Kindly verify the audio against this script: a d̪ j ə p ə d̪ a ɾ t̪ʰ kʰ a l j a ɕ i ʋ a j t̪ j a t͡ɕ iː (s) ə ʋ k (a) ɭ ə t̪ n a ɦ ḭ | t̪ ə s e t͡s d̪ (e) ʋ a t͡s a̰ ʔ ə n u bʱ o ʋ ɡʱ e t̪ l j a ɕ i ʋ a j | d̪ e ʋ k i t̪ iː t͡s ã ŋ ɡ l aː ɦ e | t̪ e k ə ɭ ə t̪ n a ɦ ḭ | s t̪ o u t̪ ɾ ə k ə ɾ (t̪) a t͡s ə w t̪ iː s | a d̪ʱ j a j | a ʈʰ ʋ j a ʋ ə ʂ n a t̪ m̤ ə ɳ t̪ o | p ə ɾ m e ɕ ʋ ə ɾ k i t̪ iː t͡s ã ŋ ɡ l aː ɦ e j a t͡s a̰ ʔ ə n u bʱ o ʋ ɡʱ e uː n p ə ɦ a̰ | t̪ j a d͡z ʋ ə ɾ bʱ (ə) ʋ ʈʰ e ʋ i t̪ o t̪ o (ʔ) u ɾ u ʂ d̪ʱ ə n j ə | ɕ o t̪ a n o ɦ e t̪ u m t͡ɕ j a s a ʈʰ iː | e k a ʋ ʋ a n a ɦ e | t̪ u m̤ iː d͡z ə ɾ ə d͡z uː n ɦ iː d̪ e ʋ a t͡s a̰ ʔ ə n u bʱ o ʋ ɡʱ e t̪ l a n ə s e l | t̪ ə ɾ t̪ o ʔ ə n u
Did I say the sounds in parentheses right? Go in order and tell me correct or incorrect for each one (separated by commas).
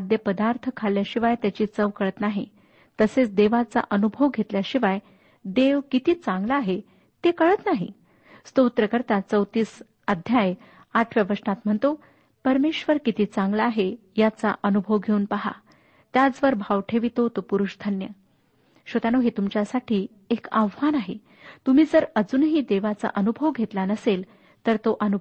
incorrect, incorrect, correct, correct, incorrect, incorrect